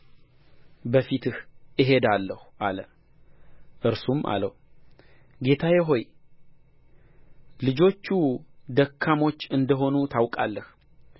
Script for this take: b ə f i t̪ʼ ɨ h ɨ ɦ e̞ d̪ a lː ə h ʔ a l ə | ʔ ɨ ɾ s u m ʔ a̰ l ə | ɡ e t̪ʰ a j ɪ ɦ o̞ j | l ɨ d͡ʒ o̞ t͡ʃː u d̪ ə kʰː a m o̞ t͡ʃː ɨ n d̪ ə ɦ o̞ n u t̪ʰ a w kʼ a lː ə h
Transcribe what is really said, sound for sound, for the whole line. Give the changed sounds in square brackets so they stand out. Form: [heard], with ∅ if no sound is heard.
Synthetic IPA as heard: b ə f i [t̪] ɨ h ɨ ɦ e̞ d̪ a lː ə h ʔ a l ə | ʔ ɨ ɾ s u m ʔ a̰ l ə | ɡ e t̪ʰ a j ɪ ɦ o̞ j | l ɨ d͡ʒ o̞ t͡ʃː u d̪ ə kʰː a m o̞ t͡ʃː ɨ n d̪ ə ɦ o̞ n u t̪ʰ a w kʼ a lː ə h

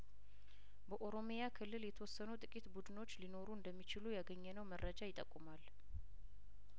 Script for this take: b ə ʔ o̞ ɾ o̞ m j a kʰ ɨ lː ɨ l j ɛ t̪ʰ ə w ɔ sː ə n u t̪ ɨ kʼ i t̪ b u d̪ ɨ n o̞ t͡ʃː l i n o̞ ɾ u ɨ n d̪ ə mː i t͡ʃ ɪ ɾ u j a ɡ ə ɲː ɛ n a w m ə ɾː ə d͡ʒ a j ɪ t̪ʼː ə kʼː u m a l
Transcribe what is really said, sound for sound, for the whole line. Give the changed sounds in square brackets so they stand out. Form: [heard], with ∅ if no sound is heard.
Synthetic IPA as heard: b ə ʔ o̞ ɾ o̞ m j a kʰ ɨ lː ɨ l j ɛ t̪ʰ ə w ɔ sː ə n u [t̪ʼ] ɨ kʼ i t̪ b u d̪ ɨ n o̞ t͡ʃː l i n o̞ ɾ u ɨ n d̪ ə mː i t͡ʃ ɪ [l] u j a ɡ ə ɲː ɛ n [ə] w m ə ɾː ə d͡ʒ a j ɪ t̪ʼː ə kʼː u m a l

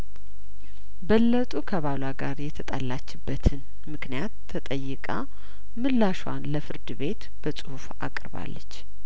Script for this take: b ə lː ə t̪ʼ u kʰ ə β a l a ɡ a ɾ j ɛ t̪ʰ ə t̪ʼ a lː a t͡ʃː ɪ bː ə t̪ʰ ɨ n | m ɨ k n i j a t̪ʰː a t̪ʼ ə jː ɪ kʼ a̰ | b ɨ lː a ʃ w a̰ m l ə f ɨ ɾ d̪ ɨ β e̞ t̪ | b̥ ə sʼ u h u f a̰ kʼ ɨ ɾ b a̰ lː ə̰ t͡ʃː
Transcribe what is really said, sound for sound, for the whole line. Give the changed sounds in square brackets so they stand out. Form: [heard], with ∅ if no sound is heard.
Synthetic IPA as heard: b ə lː ə t̪ʼ u kʰ ə β a l a ɡ a ɾ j ɛ t̪ʰ ə t̪ʼ a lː a t͡ʃː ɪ bː ə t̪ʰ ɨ n | m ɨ k n i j a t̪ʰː [ə] t̪ʼ ə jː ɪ kʼ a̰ | [m] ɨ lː a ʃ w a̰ [n] l ə f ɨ ɾ d̪ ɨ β e̞ t̪ | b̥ ə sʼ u h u f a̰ kʼ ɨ ɾ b a̰ lː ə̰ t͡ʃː

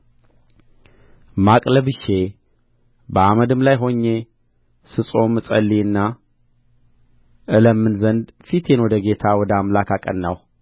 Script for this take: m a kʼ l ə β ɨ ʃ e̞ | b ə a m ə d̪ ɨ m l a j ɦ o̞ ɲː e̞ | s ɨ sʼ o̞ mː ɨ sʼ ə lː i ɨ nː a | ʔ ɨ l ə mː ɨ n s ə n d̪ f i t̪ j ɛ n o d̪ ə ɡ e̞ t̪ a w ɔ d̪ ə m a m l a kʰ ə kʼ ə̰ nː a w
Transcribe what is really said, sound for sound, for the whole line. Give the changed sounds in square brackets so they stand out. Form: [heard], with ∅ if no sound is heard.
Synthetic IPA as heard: m a kʼ l ə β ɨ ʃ e̞ | b ə a m ə d̪ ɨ m l a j ɦ o̞ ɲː e̞ | s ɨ sʼ o̞ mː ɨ sʼ ə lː i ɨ nː a | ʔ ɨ l ə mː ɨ n [z] ə n d̪ f i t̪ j ɛ n o d̪ ə ɡ e̞ [t̪ʰ] a w ɔ d̪ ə [∅] a m l a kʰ [a] kʼ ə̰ nː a w

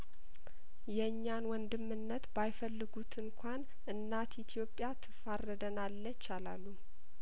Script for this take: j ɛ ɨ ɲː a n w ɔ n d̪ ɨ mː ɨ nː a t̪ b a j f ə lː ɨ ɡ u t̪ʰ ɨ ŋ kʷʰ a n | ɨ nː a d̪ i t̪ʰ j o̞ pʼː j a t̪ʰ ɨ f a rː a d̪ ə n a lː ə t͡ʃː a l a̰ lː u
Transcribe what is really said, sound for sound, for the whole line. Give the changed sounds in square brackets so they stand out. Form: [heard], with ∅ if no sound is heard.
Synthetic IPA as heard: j ɛ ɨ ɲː a n w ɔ n d̪ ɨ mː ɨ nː [ə] t̪ b a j f ə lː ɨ ɡ u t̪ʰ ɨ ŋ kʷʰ a n | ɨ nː a [t̪] i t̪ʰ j o̞ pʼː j a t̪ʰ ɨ f a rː [ə] d̪ ə n a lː ə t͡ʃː a l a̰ lː u

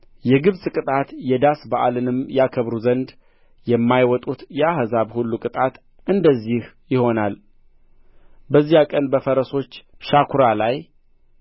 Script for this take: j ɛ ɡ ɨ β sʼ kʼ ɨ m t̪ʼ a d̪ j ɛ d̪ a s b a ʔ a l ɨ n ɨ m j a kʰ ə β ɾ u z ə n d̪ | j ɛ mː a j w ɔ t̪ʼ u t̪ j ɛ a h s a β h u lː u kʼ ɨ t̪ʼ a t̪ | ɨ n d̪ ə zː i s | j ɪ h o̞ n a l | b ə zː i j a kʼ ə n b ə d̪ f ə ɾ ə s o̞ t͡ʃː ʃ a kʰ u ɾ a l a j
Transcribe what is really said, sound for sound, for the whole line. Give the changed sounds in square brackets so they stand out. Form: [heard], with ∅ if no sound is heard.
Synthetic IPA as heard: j ɛ ɡ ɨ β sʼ kʼ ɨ [∅] t̪ʼ a [t̪] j ɛ d̪ a s b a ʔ a l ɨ n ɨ m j a kʰ ə β ɾ u z ə n d̪ | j ɛ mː a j w ɔ t̪ʼ u t̪ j ɛ a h [z] a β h u lː u kʼ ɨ t̪ʼ a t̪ | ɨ n d̪ ə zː i [h] | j ɪ h o̞ n a l | b ə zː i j a kʼ ə n b ə [∅] f ə ɾ ə s o̞ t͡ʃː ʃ a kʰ u ɾ a l a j

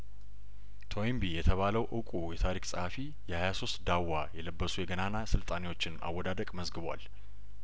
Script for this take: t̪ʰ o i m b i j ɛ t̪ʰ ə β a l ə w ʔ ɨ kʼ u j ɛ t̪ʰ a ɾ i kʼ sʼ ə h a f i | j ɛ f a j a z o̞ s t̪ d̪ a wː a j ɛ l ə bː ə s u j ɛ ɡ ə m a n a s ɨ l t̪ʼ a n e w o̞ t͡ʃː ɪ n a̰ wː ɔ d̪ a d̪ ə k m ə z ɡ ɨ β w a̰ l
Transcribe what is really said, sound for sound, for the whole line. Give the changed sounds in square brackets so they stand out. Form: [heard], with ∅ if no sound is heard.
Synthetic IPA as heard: t̪ʰ o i m b i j ɛ t̪ʰ ə β a l ə w ʔ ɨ kʼ u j ɛ t̪ʰ a ɾ i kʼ sʼ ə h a f i | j ɛ [h] a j a [s] o̞ s t̪ d̪ a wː a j ɛ l ə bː ə s u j ɛ ɡ ə [n] a n a s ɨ l t̪ʼ a n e w o̞ t͡ʃː ɪ n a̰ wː ɔ d̪ a d̪ ə [kʼ] m ə z ɡ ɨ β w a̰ l

